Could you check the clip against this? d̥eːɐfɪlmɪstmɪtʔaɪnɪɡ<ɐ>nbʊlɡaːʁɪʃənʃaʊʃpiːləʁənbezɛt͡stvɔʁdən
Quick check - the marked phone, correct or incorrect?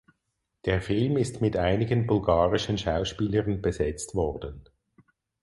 incorrect